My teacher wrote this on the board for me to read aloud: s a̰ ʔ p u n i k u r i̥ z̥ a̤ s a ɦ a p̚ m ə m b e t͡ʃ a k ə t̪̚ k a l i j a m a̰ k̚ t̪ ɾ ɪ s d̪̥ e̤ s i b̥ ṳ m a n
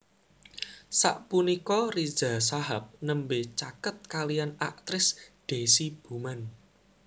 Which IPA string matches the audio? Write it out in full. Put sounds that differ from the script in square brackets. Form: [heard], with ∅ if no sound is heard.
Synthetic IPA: s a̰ ʔ p u n i k [ɔ] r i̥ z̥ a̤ s a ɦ a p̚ [n] ə m b e t͡ʃ a k ə t̪̚ k a l i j a [n] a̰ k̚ t̪ ɾ ɪ s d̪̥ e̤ s i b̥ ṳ m a n